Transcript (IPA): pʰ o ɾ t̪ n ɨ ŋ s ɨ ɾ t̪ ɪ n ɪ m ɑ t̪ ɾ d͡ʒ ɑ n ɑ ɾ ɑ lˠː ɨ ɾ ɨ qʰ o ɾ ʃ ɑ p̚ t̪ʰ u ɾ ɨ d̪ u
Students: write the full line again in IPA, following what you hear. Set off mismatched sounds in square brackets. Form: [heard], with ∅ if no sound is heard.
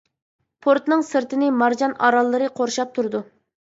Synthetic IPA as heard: pʰ o ɾ t̪ n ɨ ŋ s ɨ ɾ t̪ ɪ n ɪ m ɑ [∅] ɾ d͡ʒ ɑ n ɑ ɾ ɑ lˠː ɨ ɾ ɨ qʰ o ɾ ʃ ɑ p̚ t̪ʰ u ɾ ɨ d̪ u